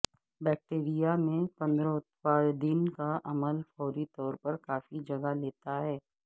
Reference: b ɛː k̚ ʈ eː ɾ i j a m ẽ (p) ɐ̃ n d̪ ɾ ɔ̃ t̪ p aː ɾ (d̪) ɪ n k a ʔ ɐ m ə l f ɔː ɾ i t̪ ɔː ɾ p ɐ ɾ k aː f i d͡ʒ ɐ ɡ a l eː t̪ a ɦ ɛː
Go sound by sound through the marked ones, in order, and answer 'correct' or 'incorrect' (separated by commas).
correct, correct